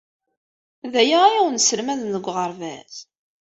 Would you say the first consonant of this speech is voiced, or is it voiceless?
voiced